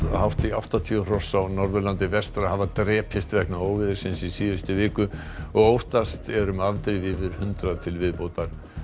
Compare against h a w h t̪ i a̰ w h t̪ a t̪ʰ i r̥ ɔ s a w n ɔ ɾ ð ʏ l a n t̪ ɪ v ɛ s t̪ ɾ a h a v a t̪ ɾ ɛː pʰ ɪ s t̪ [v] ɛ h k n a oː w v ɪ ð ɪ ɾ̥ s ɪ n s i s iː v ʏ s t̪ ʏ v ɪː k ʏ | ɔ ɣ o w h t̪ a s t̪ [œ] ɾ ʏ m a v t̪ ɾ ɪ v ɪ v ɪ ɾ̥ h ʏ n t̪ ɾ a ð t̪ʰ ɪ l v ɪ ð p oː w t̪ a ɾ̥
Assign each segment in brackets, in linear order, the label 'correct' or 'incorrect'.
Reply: correct, incorrect

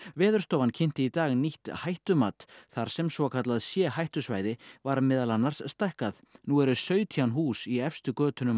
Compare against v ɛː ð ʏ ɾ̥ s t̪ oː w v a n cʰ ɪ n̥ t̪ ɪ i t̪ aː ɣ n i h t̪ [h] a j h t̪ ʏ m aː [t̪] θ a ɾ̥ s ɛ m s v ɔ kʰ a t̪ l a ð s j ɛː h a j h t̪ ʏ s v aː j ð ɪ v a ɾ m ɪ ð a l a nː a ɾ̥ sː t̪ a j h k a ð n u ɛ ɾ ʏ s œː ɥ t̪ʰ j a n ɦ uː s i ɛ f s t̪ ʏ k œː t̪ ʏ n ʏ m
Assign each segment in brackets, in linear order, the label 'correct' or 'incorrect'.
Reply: correct, correct

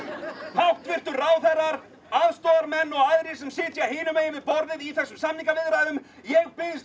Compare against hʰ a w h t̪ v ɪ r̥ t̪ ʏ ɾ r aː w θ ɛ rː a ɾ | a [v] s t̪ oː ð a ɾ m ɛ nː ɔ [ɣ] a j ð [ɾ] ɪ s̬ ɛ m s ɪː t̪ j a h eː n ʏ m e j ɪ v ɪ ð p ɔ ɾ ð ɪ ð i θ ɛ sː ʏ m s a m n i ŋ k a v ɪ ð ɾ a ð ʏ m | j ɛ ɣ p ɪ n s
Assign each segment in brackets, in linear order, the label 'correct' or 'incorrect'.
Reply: incorrect, correct, correct

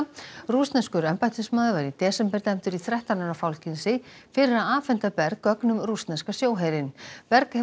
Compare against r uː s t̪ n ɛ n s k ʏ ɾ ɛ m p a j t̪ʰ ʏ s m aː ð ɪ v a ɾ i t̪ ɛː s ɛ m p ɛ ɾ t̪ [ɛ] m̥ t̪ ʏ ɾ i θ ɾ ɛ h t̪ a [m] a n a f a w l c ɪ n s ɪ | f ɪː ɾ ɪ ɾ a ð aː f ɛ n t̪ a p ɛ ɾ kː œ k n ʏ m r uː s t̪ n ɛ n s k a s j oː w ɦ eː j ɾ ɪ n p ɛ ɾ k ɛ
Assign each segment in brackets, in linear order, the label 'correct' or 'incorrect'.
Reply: correct, incorrect

